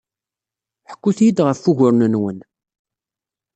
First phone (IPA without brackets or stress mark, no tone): ħ